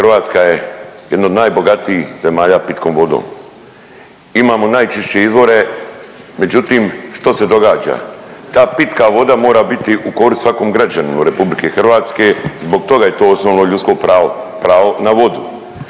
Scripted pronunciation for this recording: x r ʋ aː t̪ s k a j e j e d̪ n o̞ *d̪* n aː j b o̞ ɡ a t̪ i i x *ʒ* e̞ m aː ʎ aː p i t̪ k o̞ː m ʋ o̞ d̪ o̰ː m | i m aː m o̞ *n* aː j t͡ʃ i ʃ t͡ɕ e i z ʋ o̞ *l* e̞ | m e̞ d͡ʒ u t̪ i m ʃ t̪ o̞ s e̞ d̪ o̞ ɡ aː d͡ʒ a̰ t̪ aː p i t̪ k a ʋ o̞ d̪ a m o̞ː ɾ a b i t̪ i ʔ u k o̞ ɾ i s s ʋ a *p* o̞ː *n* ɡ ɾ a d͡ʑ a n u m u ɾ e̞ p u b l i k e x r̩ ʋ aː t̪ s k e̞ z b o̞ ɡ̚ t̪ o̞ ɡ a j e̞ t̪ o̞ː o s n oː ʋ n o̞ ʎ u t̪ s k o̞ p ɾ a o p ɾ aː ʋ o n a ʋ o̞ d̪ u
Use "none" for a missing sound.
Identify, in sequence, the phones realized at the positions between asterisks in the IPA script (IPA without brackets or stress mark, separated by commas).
d̪, z, n, ɾ, k, m